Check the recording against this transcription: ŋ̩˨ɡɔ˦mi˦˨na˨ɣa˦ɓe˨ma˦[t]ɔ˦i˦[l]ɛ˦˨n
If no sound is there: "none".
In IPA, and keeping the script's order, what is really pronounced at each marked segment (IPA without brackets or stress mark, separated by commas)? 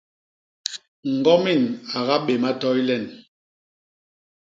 t, l